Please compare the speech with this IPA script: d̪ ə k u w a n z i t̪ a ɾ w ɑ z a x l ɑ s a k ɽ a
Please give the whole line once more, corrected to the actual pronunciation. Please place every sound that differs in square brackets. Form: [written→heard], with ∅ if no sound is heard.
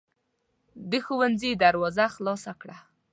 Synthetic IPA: d̪ ə [k→x] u w a n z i [t̪→d̪] a ɾ w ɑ z a x l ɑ s a k ɽ a

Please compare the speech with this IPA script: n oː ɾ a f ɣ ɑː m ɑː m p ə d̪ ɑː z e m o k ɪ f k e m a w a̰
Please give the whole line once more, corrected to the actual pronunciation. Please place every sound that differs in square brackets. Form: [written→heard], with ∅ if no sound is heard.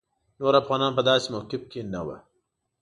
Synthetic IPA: n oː ɾ a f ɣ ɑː [m→n] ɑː [m→n] p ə d̪ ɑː [z→s] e m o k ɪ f k e [m→n] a w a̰

